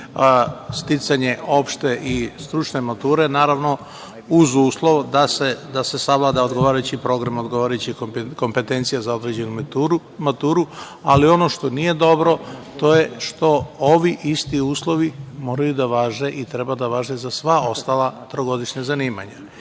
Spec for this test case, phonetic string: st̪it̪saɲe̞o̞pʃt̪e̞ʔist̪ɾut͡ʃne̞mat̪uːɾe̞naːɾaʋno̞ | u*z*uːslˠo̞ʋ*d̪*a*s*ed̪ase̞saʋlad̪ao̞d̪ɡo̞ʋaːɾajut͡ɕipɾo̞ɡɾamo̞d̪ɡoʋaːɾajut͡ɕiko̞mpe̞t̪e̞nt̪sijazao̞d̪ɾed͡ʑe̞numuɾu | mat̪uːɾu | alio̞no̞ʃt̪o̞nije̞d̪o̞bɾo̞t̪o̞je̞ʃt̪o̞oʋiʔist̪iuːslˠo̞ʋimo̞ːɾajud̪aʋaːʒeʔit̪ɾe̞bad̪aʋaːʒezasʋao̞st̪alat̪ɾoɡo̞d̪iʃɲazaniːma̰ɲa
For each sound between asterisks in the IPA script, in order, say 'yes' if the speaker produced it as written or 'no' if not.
yes, yes, yes

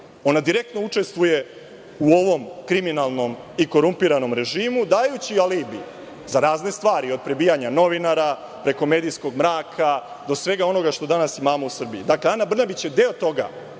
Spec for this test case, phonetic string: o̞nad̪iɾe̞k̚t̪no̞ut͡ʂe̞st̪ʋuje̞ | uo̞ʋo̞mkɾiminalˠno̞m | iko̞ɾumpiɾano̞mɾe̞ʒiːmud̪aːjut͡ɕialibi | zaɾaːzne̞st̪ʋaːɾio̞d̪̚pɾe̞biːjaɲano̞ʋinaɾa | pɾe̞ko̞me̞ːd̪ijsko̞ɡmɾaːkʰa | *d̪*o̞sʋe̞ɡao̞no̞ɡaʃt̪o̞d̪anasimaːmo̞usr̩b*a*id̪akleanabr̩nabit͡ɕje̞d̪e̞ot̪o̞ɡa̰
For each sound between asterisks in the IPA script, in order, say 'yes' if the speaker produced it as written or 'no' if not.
yes, no

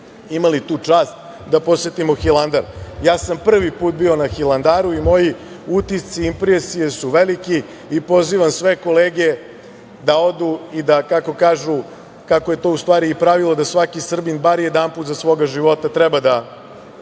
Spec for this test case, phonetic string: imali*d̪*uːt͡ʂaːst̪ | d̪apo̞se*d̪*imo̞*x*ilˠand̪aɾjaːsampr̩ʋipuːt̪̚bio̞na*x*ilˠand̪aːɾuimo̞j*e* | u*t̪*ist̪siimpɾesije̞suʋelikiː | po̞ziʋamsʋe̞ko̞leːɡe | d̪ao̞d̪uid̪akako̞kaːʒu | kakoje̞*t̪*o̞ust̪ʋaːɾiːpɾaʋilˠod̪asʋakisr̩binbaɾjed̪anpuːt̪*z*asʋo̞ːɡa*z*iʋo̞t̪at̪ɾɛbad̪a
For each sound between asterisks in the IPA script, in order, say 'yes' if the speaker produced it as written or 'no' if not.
no, no, yes, yes, no, yes, yes, yes, no

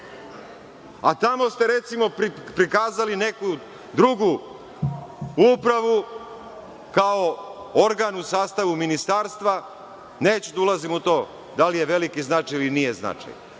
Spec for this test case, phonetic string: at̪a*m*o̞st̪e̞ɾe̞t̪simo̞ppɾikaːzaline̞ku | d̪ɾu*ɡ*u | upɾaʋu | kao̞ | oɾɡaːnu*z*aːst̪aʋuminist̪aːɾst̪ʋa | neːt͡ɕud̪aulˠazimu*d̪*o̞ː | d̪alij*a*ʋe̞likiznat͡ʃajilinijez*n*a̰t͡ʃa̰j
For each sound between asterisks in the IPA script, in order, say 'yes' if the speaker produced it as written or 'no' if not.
yes, yes, no, no, no, yes

